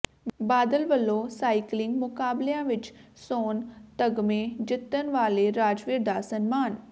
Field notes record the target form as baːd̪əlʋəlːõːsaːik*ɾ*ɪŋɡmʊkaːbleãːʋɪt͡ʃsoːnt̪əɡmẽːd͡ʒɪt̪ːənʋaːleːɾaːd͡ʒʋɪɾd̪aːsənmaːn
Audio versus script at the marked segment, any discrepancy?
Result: yes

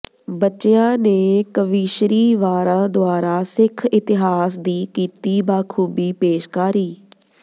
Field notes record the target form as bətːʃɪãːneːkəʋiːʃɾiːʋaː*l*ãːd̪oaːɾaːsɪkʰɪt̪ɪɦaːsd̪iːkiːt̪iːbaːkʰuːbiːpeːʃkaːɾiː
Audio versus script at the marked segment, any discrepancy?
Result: yes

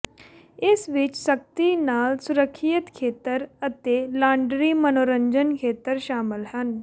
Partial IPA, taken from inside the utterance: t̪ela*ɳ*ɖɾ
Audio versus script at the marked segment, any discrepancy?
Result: no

